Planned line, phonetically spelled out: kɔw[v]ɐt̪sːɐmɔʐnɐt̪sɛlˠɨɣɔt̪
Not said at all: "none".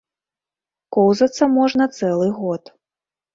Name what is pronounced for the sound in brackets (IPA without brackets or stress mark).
z